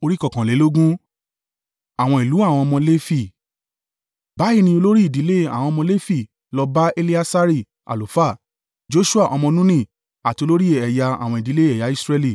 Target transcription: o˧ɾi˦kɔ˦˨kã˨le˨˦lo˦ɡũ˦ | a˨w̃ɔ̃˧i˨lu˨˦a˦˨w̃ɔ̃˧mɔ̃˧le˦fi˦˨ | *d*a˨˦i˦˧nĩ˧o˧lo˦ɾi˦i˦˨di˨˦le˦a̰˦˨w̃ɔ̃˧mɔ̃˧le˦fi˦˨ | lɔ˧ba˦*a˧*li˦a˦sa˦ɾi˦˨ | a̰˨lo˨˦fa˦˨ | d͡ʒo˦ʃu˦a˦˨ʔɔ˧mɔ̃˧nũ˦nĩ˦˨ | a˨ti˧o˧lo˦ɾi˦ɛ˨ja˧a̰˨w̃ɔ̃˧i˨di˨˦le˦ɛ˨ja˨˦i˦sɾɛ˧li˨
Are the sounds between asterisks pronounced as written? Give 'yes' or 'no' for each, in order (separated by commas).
no, no